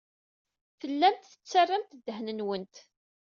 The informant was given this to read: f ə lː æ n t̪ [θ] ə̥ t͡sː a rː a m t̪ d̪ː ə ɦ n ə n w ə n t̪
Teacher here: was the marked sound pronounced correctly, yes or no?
yes